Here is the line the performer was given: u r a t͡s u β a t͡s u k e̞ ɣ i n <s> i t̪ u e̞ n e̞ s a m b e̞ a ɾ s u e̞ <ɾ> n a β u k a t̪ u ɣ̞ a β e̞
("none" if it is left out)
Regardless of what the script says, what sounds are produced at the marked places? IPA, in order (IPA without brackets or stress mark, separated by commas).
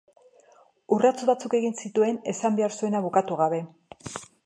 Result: s, none